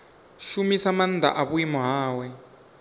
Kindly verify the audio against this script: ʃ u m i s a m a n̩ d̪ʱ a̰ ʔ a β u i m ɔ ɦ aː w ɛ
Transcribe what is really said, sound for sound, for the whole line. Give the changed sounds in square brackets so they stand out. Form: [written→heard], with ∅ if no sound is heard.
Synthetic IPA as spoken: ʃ u m i s a m a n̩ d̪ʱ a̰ ʔ a β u i m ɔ ɦ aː w ɛ